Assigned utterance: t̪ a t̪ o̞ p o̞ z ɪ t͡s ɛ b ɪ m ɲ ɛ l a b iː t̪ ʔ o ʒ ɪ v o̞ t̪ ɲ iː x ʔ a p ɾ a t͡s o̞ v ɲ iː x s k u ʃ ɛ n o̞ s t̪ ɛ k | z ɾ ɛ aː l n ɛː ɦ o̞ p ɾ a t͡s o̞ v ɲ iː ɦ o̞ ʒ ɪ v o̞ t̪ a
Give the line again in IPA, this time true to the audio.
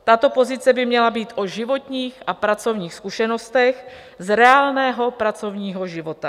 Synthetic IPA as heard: t̪ a t̪ o̞ p o̞ z ɪ t͡s ɛ b ɪ m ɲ ɛ l a b iː t̪ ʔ o ʒ ɪ v o̞ t̪ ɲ iː x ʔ a p ɾ a t͡s o̞ v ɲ iː x s k u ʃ ɛ n o̞ s t̪ ɛ x | z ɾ ɛ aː l n ɛː ɦ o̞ p ɾ a t͡s o̞ v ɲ iː ɦ o̞ ʒ ɪ v o̞ t̪ a